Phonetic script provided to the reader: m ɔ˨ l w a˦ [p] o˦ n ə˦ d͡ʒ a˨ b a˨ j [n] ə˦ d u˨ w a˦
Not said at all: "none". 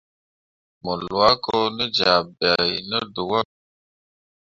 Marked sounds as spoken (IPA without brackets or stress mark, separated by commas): k, n